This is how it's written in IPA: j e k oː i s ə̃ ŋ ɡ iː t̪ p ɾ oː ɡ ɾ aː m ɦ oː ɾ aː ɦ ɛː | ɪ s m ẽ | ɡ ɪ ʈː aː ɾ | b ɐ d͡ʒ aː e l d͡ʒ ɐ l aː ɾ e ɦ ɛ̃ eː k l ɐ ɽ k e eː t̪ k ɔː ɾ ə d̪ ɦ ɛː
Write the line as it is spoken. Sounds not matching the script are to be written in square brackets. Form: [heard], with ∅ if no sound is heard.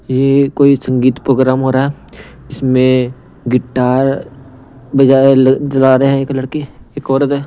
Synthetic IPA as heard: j e k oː i s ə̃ ŋ ɡ iː t̪ p ɾ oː ɡ ɾ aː m ɦ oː ɾ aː ɦ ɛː | ɪ s m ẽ | ɡ ɪ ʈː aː ɾ | b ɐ d͡ʒ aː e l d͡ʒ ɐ l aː ɾ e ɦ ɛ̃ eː k l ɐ ɽ k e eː [∅] k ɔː ɾ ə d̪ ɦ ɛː